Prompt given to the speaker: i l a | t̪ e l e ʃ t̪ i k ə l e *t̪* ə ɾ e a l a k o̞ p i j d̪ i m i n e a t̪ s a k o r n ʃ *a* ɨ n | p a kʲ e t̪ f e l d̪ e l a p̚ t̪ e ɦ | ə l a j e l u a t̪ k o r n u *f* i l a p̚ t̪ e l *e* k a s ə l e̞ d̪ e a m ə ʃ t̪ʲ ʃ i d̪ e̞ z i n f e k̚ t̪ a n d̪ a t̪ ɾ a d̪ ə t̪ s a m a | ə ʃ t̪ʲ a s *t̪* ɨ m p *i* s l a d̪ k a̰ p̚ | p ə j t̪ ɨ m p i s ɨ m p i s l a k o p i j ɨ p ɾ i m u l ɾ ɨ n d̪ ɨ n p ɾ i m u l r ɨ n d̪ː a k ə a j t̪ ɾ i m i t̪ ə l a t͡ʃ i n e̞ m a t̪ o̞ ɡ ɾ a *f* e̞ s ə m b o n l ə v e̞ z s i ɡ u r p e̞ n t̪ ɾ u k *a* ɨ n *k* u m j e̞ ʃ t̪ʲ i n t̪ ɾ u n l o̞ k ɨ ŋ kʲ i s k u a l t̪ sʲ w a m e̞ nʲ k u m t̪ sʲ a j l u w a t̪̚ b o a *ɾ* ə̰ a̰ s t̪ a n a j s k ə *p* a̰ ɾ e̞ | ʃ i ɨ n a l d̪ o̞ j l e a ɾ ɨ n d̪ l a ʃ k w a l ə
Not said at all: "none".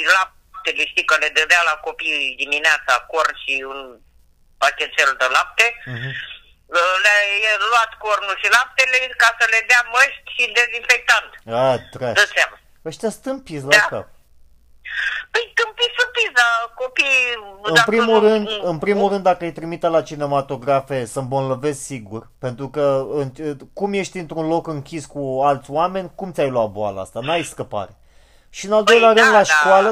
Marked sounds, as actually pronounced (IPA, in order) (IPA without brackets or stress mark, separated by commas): d̪, i, ʃ, e, t̪, i, f, ə, k, l, p